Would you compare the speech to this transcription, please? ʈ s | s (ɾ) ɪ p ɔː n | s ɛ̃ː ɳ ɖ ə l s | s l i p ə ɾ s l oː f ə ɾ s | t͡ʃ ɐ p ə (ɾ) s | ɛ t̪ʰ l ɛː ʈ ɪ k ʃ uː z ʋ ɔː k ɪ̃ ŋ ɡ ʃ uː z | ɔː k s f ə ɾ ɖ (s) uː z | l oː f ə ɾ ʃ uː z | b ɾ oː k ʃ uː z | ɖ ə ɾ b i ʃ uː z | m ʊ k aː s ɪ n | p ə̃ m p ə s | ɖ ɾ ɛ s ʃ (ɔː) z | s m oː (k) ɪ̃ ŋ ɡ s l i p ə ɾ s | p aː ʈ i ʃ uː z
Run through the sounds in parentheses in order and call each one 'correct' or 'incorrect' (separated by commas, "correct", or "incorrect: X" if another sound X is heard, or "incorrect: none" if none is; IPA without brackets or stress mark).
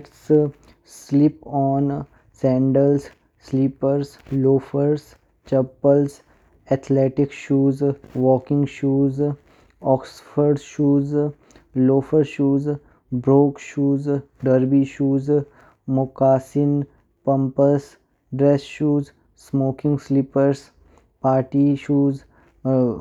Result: incorrect: l, incorrect: l, incorrect: ʃ, incorrect: uː, correct